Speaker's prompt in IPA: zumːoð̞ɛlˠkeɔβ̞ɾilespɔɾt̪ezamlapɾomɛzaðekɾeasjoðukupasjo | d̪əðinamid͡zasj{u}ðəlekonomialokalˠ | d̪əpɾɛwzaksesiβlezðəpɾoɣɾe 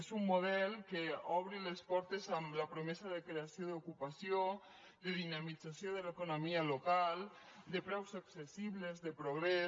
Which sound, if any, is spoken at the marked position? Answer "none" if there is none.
o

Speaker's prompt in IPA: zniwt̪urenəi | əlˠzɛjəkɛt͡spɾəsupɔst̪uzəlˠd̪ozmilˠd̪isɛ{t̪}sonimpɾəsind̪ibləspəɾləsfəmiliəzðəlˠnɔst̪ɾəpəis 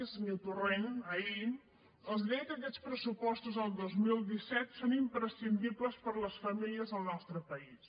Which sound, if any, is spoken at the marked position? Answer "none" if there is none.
t̪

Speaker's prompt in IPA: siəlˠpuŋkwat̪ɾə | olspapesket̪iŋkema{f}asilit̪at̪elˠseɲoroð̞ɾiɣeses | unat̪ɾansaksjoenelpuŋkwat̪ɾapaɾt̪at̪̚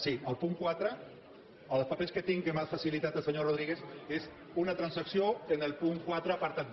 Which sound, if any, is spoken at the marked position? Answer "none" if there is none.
f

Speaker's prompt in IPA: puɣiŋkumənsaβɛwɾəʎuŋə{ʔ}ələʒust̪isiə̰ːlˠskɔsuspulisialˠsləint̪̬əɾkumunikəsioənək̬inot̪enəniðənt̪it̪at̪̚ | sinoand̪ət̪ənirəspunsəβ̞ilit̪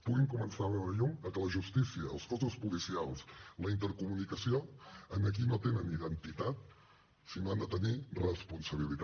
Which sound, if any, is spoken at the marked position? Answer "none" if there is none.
k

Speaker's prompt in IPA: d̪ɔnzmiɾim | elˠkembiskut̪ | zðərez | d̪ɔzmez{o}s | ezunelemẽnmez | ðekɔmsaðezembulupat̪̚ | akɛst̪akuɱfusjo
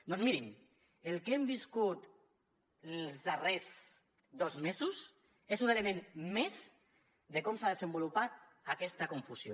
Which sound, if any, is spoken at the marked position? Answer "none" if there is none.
u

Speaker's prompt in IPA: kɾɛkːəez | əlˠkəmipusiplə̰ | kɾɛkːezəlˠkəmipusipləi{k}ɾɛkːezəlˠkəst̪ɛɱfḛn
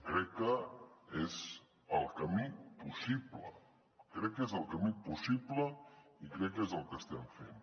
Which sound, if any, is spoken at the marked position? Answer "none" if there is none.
k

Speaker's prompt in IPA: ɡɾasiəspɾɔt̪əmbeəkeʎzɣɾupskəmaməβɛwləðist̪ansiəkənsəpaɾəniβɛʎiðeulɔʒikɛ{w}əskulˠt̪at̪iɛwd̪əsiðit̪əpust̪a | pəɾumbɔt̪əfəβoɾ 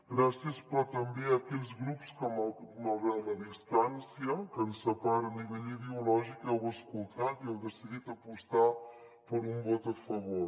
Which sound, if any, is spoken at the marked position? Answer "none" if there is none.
w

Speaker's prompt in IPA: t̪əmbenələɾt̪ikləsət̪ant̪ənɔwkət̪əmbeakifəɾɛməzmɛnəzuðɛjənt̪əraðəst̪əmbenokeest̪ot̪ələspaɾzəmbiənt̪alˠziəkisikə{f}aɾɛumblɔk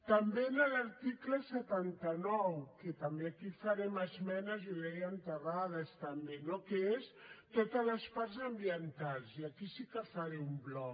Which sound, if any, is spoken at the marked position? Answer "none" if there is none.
f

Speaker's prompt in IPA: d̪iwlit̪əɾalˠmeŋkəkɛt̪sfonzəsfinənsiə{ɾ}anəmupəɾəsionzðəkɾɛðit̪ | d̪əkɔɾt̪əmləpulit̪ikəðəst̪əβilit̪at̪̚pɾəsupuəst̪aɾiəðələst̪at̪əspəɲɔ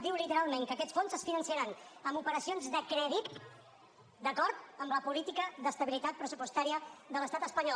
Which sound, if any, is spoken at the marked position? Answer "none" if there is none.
ɾ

